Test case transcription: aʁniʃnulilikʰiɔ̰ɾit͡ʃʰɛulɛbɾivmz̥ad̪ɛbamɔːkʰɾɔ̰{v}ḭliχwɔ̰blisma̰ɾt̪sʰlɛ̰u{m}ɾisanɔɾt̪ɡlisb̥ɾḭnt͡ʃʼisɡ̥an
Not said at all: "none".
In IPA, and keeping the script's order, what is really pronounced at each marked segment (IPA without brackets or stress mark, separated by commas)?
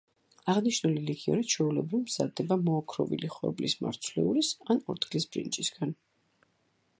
v, none